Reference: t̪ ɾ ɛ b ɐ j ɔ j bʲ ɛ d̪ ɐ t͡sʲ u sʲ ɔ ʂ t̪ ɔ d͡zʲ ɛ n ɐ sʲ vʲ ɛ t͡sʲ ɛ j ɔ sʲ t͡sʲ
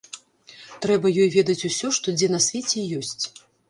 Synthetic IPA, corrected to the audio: t̪ ɾ ɛ b ɐ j ɔ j vʲ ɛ d̪ ɐ t͡sʲ u sʲ ɔ ʂ t̪ ɔ d͡zʲ ɛ n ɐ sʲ vʲ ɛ t͡sʲ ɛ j ɔ sʲ t͡sʲ